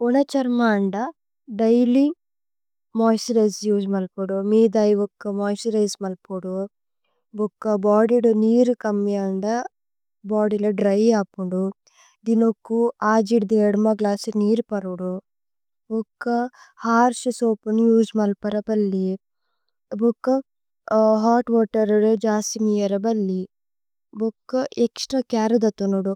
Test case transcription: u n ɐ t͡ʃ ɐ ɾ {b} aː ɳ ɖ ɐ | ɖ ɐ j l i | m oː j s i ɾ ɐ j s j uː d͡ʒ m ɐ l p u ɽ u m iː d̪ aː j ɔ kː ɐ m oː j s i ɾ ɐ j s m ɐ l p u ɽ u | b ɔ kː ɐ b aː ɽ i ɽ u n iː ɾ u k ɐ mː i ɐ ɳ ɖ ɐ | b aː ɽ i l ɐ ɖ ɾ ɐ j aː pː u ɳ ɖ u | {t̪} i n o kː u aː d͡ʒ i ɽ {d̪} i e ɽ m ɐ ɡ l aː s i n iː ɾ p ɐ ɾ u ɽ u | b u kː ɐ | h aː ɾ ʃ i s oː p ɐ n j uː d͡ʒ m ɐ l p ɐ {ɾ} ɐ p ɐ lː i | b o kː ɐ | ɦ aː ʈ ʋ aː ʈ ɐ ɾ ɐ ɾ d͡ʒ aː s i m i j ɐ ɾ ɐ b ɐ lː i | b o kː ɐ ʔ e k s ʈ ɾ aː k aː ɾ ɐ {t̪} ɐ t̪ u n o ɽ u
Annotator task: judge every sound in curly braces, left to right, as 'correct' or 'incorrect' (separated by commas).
incorrect, incorrect, correct, correct, incorrect